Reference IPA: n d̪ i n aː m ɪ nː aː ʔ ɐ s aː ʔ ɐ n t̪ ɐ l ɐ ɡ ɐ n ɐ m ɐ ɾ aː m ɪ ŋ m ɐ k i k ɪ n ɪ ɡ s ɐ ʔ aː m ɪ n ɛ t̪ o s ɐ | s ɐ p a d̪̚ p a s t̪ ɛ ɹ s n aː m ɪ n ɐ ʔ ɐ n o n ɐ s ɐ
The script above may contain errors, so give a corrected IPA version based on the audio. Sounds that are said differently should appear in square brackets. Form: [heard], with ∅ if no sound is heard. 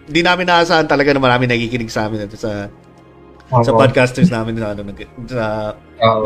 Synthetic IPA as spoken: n d̪ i n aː m ɪ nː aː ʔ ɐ s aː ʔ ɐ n t̪ ɐ l ɐ ɡ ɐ n ɐ m ɐ ɾ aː m ɪ ŋ [n] ɐ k i k ɪ n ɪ ɡ s ɐ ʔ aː m ɪ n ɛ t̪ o s ɐ | s ɐ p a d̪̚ [k] a s t̪ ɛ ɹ s n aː m ɪ n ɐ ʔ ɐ n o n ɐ s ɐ